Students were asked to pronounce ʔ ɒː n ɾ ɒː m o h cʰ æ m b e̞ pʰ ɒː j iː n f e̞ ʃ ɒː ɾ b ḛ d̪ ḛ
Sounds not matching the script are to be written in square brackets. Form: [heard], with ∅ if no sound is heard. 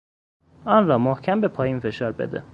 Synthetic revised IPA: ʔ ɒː n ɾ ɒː m o h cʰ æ m b e̞ pʰ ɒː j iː n f e̞ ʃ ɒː ɾ b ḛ d̪ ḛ